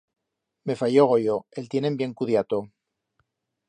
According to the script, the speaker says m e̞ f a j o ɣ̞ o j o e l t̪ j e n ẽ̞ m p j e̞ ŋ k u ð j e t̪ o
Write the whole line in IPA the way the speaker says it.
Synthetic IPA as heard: m e̞ f a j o ɣ̞ o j o e l t̪ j e n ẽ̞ m b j e̞ ŋ k u ð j a t̪ o